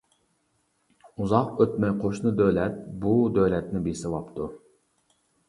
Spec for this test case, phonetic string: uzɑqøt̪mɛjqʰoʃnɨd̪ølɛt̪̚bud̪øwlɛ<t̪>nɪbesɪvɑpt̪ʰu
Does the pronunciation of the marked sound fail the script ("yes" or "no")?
no